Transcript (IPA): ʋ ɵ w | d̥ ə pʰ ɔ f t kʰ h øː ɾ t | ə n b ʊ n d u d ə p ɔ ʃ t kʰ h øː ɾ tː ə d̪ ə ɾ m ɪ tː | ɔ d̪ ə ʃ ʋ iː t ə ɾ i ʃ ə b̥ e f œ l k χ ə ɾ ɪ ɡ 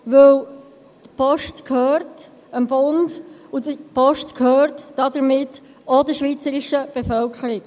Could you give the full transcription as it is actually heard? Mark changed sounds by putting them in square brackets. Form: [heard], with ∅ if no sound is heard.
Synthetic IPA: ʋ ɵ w | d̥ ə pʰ ɔ [ʃ] t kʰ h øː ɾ t | ə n b ʊ n d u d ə p ɔ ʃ t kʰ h øː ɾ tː [ɑ] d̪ ə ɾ m ɪ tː | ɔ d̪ ə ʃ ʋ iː [t͡s] ə ɾ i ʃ ə b̥ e f œ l k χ ə ɾ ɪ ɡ